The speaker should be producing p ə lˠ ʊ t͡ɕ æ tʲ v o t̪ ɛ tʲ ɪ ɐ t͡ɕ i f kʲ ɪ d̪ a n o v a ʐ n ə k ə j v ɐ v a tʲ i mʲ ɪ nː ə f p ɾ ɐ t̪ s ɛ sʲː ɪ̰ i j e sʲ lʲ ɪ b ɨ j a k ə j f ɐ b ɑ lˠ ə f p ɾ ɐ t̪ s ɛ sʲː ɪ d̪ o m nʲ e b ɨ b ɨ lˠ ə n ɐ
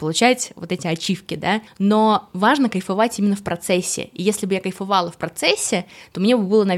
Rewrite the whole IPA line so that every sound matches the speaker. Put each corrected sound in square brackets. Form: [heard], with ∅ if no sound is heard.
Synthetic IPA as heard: p ə lˠ ʊ t͡ɕ æ tʲ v o t̪ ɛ tʲ ɪ ɐ t͡ɕ i f kʲ ɪ d̪ a n o v a ʐ n ə k ə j [f] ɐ v a tʲ i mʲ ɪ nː ə f p ɾ ɐ t̪ s ɛ sʲː ɪ̰ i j e sʲ lʲ ɪ b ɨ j a k ə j f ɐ [v] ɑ lˠ ə f p ɾ ɐ t̪ s ɛ sʲː ɪ [t̪] o m nʲ e b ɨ b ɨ lˠ ə n ɐ